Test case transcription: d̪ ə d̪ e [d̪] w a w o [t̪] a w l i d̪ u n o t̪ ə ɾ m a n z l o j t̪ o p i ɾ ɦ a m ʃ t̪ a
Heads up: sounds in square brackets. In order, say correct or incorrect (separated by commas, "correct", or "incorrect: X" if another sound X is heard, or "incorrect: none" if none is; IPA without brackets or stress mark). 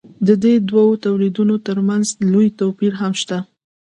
correct, correct